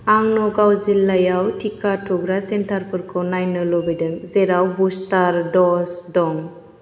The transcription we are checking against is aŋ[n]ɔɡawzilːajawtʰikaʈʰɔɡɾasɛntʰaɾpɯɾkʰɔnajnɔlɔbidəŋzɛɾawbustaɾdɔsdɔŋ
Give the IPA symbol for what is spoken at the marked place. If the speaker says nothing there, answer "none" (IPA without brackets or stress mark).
n